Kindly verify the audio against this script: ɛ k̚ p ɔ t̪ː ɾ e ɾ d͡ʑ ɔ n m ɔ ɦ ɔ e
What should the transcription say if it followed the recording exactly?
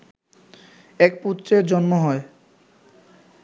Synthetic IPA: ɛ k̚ p u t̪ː ɾ e ɾ d͡ʑ ɔ n m o ɦ ɔ e